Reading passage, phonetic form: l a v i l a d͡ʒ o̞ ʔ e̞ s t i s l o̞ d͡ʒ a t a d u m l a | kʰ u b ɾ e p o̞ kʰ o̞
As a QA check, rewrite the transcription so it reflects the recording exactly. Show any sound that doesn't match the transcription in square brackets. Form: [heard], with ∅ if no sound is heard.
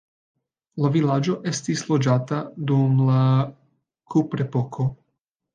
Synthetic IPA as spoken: l a v i l a d͡ʒ o̞ ʔ e̞ s t i s l o̞ d͡ʒ a t a d u m l a | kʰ u [p] ɾ e p o̞ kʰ o̞

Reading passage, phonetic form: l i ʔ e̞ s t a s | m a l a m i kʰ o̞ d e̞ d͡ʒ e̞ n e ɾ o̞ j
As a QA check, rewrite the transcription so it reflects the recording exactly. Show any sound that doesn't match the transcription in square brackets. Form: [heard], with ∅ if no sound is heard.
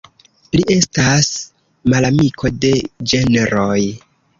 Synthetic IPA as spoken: l i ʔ e̞ s t a s | m a l a m i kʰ o̞ d e̞ d͡ʒ e̞ n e ɾ o̞ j

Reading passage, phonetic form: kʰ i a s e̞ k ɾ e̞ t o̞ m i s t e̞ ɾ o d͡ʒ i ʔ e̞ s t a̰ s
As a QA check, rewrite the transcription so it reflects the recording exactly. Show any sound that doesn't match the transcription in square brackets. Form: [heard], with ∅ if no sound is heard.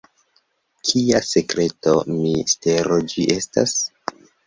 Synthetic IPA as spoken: kʰ i a s e̞ k ɾ e̞ t o̞ m i s t e̞ ɾ o d͡ʒ i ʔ e̞ s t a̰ s

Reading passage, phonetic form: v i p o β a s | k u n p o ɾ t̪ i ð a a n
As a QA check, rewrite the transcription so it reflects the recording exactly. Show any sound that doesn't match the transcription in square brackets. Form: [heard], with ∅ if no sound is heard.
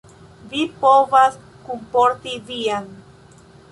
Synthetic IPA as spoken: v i p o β a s | k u [m] p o ɾ t̪ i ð [i] a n

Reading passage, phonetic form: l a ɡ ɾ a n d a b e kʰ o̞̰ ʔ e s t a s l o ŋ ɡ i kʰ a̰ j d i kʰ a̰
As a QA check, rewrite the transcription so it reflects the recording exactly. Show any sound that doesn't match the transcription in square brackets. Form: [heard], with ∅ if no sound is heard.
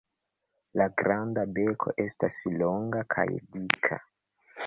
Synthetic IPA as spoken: l a ɡ ɾ a n d a b e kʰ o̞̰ ʔ e s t a s l o ŋ ɡ [a] kʰ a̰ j d i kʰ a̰

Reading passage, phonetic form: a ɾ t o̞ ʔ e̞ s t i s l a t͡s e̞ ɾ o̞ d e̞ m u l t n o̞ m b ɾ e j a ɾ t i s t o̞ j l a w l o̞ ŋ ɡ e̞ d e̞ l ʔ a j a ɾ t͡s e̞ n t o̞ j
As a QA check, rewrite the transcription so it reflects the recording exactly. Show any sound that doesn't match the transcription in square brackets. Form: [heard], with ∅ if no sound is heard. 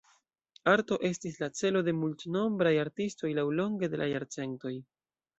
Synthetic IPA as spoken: a ɾ t o̞ ʔ e̞ s t i s l a t͡s e̞ [l] o̞ d e̞ m u l t n o̞ m b ɾ [a] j a ɾ t i s t o̞ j l a w l o̞ ŋ ɡ e̞ d e̞ l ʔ a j a ɾ t͡s e̞ n t o̞ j

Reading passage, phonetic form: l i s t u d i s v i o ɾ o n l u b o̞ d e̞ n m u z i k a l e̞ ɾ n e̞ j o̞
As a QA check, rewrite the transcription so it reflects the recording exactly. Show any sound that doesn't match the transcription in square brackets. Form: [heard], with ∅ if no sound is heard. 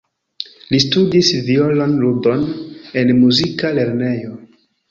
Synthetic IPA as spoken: l i s t u d i s v i o [l] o n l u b o̞ [n] e̞ n m u z i k a l e̞ ɾ n e̞ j o̞

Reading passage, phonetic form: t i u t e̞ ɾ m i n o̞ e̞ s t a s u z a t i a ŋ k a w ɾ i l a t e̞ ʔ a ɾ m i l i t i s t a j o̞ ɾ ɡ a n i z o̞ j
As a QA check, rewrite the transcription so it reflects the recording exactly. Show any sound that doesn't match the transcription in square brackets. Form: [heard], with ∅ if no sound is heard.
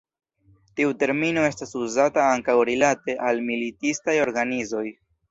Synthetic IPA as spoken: t i u t e̞ ɾ m i n o̞ e̞ s t a s u z a t [a] a ŋ k a w ɾ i l a t e̞ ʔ a [l] m i l i t i s t a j o̞ ɾ ɡ a n i z o̞ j

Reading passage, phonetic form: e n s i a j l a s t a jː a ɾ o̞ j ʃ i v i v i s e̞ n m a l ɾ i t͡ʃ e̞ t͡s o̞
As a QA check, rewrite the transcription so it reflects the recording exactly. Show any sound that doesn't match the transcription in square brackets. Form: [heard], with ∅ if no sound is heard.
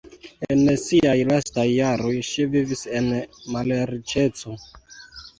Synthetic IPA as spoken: e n s i a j l a s t a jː a ɾ o̞ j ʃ i v i v i s e̞ n m a l ɾ i t͡ʃ e̞ t͡s o̞

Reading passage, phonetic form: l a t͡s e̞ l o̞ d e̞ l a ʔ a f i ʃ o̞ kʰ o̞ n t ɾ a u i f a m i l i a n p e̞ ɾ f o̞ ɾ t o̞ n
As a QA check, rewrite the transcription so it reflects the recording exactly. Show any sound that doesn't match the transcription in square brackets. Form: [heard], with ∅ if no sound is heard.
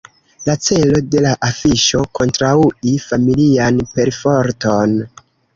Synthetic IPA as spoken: l a t͡s e̞ l o̞ d e̞ l a ʔ a f i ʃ o̞ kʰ o̞ n t ɾ a u i f a m i l i a n p e̞ ɾ f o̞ ɾ t o̞ n

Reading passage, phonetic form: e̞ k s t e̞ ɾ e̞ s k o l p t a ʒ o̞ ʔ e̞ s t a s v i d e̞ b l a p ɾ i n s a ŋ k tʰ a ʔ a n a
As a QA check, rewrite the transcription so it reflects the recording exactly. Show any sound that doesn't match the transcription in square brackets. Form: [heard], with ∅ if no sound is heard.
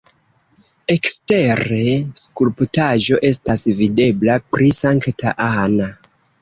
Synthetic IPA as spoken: e̞ k s t e̞ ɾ e̞ s k [u] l p t a ʒ o̞ ʔ e̞ s t a s v i d e̞ b l a p ɾ i [∅] s a ŋ k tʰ a ʔ a n a

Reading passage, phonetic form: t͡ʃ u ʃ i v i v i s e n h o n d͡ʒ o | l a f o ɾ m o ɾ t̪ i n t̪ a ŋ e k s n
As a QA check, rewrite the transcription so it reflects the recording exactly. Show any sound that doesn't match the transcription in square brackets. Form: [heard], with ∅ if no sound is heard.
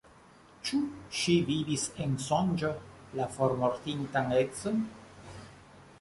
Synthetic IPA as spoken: t͡ʃ u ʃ i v i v i s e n [s] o n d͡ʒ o | l a f o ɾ m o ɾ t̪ i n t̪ a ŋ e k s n

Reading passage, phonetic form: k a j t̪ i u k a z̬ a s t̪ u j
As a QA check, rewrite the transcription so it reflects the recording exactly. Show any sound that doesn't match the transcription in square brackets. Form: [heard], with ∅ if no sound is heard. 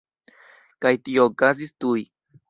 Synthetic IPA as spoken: k a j t̪ i [o] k a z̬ [i] s t̪ u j

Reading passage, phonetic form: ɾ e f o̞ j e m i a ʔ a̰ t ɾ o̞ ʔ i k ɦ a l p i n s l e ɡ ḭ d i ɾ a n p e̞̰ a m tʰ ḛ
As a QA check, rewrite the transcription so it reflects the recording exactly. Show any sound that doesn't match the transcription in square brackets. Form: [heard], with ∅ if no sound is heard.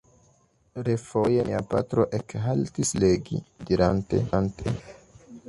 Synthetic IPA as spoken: ɾ e f o̞ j e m i a [p] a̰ t ɾ o̞ ʔ [e] k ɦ a l [t] i [∅] s l e ɡ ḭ d i ɾ a n [t] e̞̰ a [n] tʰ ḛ

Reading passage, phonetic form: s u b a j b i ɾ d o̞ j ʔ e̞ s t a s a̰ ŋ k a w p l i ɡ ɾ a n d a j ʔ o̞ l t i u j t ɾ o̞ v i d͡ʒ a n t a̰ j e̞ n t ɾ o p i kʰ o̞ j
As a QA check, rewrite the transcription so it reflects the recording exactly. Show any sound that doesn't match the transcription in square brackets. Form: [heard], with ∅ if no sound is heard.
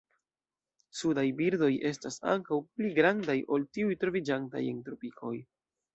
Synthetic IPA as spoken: s u [d] a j b i ɾ d o̞ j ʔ e̞ s t a s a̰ ŋ k a w p l i ɡ ɾ a n d a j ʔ o̞ l t i u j t ɾ o̞ v i d͡ʒ a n t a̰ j e̞ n t ɾ o p i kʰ o̞ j

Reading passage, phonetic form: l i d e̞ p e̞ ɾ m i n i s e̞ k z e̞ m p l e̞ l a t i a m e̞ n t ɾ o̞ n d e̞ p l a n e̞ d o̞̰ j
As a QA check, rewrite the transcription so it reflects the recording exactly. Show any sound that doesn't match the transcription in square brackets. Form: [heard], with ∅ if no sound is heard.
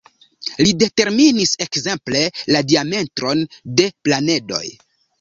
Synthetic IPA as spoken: l i d e̞ [t] e̞ ɾ m i n i s e̞ k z e̞ m p l e̞ l a [d] i a m e̞ n t ɾ o̞ n d e̞ p l a n e̞ d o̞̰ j

